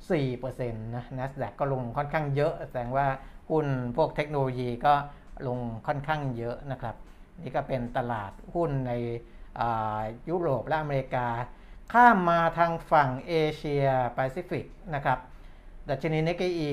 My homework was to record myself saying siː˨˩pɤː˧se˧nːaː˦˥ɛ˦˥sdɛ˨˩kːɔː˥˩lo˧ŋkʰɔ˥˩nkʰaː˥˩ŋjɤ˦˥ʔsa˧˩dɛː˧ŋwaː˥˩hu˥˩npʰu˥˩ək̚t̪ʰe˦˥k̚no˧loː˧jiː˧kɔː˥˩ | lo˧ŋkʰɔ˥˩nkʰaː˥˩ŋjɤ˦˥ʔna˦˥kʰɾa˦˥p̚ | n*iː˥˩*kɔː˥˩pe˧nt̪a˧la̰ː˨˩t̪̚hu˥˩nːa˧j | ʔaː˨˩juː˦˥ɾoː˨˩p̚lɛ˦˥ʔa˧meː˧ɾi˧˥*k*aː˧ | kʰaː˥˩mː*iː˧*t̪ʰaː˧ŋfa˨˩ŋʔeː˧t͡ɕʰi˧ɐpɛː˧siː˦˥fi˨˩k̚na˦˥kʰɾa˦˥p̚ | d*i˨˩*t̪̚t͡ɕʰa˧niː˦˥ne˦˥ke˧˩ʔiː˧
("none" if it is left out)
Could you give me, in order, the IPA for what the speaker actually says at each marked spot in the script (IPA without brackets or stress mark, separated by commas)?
iː˦˥, k, aː˧, a˨˩